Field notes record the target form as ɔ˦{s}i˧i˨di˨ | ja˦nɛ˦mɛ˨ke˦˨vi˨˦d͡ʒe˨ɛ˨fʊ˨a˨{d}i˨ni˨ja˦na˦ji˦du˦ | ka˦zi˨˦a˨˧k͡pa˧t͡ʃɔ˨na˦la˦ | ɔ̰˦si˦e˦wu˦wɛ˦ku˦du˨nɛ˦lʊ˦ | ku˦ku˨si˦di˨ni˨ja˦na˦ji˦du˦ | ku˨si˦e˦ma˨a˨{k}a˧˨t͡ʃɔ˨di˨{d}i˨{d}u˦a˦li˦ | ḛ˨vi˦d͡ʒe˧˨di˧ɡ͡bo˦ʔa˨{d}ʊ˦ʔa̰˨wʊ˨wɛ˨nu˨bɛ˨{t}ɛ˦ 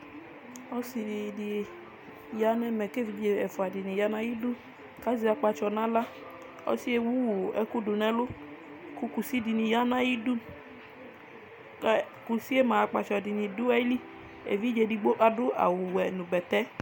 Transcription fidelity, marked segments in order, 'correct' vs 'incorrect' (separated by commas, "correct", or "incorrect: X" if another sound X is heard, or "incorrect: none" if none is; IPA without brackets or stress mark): correct, correct, incorrect: k͡p, incorrect: n, correct, correct, correct